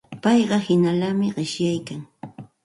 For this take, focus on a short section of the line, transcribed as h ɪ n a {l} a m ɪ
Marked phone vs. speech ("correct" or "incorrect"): correct